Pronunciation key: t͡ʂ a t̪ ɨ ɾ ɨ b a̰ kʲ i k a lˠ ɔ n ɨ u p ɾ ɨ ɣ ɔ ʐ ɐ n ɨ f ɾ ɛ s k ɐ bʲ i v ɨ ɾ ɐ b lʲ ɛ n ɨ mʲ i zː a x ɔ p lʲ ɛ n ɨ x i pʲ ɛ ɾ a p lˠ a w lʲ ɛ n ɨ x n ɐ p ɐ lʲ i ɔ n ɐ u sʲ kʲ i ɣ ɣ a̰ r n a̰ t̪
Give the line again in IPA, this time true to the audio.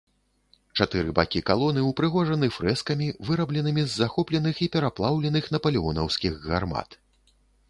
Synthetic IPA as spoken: t͡ʂ a t̪ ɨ ɾ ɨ b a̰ kʲ i k a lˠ ɔ n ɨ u p ɾ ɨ ɣ ɔ ʐ ɐ n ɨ f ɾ ɛ s k ɐ mʲ i v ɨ ɾ ɐ b lʲ ɛ n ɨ mʲ i zː a x ɔ p lʲ ɛ n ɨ x i pʲ ɛ ɾ a p lˠ a w lʲ ɛ n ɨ x n ɐ p ɐ lʲ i ɔ n ɐ w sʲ kʲ i ɣ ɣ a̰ r m a̰ t̪

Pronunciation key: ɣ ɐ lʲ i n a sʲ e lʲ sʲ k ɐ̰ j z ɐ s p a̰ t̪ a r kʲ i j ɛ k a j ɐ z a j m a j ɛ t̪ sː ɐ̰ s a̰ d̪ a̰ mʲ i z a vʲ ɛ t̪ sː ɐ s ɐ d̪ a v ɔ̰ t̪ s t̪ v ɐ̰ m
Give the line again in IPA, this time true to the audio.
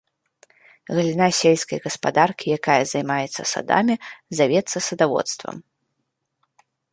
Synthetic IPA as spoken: ɣ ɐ lʲ i n a sʲ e lʲ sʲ k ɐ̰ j ɣ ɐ s p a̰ d̪ a r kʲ i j a k a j ɐ z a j m a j ɛ t̪ sː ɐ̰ s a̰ d̪ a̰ mʲ i z a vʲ ɛ t̪ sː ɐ s ɐ d̪ a v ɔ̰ t̪ s t̪ v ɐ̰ m

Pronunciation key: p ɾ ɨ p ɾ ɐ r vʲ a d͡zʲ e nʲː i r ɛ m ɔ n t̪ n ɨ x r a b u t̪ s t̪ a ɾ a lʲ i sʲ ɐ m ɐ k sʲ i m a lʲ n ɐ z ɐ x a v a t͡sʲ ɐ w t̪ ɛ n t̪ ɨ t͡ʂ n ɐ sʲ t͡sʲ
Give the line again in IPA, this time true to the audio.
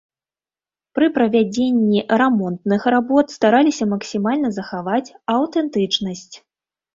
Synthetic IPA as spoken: p ɾ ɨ p ɾ ɐ vʲ a d͡zʲ e nʲː i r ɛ m ɔ n t̪ n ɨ x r a b ɔ t̪ s t̪ a ɾ a lʲ i sʲ ɐ m ɐ k sʲ i m a lʲ n ɐ z ɐ x a v a t͡sʲ ɐ w t̪ ɛ n t̪ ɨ t͡ʂ n ɐ sʲ t͡sʲ

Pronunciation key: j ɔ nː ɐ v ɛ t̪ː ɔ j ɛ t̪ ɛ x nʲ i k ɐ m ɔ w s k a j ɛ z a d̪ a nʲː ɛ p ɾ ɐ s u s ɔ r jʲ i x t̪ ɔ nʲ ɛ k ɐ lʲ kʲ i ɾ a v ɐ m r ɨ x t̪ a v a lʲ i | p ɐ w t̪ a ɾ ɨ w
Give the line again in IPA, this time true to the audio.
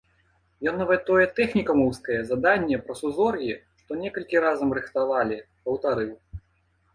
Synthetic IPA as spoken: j ɔ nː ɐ v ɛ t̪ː ɔ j ɛ t̪ ɛ x nʲ i k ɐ m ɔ w s k ɐ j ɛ z a d̪ a nʲː ɛ p ɾ ɐ s u z ɔ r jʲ i ʂ t̪ ɔ nʲ ɛ k ɐ lʲ kʲ i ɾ a z ɐ m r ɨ x t̪ a v a lʲ i | p ɐ w t̪ a ɾ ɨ w

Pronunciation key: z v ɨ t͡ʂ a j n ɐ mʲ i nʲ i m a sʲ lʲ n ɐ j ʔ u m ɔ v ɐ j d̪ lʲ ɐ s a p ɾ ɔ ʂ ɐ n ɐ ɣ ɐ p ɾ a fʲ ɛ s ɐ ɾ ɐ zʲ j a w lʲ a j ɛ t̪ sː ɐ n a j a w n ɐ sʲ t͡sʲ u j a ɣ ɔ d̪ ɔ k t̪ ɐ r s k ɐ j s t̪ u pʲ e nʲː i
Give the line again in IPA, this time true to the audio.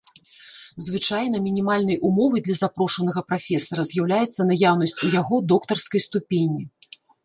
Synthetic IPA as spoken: z v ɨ t͡ʂ a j n ɐ mʲ i nʲ i m a lʲ n ɐ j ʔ u m ɔ v ɐ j d̪ lʲ ɐ z a p ɾ ɔ ʂ ɐ n ɐ ɣ ɐ p ɾ a fʲ ɛ s ɐ ɾ ɐ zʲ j a w lʲ a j ɛ t̪ sː ɐ n a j a w n ɐ sʲ t͡sʲ u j a ɣ ɔ d̪ ɔ k t̪ ɐ r s k ɐ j s t̪ u pʲ e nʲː i

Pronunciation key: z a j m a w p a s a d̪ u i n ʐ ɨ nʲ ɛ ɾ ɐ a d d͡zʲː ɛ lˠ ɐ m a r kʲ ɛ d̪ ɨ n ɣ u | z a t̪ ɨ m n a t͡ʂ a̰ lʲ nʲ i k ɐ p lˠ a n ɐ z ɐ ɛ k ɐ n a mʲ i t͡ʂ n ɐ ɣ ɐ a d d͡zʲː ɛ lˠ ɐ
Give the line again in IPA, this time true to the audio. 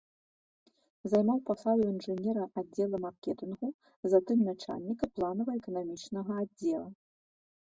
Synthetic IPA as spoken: z a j m a w p a s a d̪ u i n ʐ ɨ nʲ ɛ ɾ ɐ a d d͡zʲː ɛ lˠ ɐ m a r kʲ ɛ t̪ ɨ n ɣ u | z a t̪ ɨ m n a t͡ʂ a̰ lʲ nʲ i k ɐ p lˠ a n ɐ v ɐ ɛ k ɐ n a mʲ i t͡ʂ n ɐ ɣ ɐ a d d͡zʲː ɛ lˠ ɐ

